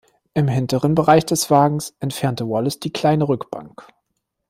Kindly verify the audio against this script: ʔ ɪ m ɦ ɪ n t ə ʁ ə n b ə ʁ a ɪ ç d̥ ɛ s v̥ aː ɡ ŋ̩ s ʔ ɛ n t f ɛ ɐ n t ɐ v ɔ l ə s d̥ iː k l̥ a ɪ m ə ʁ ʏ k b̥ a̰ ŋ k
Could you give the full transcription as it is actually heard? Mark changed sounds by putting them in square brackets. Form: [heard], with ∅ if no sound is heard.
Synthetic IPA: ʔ ɪ m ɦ ɪ n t ə ʁ ə n b ə ʁ a ɪ ç d̥ ɛ s v̥ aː ɡ ŋ̩ s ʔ ɛ n t f ɛ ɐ n t [ə] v ɔ l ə s d̥ iː k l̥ a ɪ [n] ə ʁ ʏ k b̥ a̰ ŋ k